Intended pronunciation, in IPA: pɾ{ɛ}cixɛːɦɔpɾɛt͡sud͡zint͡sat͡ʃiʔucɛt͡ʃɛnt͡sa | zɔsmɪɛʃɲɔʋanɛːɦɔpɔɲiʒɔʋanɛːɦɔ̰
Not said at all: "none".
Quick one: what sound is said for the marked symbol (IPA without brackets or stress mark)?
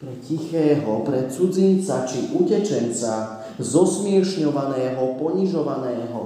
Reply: ɛ